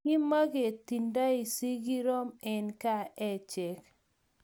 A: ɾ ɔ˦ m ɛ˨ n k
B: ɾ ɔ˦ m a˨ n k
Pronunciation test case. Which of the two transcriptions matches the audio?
A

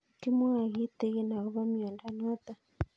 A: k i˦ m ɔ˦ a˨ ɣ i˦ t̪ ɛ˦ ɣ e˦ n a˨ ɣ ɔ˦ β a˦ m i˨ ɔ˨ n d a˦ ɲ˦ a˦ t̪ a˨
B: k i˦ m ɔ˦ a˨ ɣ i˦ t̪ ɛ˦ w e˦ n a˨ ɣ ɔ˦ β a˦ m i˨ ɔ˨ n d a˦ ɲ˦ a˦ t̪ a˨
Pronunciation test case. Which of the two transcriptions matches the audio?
A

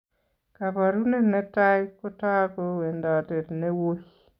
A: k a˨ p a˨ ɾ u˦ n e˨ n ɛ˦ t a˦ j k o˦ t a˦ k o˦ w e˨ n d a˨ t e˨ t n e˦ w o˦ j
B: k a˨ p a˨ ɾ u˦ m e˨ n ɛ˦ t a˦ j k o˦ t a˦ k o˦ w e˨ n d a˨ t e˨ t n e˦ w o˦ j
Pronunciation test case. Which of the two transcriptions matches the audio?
A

